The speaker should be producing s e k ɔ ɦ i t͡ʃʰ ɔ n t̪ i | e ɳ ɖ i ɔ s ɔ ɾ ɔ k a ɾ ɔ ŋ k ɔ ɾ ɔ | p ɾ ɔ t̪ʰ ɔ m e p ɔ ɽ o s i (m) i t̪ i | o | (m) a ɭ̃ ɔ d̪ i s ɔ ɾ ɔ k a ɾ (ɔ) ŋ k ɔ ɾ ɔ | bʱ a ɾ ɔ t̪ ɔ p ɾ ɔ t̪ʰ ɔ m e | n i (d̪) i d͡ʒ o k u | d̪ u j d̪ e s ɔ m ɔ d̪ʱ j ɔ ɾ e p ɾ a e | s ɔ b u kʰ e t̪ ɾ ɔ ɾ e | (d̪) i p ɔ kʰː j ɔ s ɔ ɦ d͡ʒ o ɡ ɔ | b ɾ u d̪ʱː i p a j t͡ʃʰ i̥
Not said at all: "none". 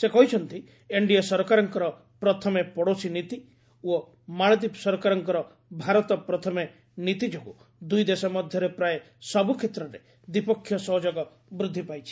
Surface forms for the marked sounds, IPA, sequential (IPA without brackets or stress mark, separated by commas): n, m, ɔ, t̪, d̪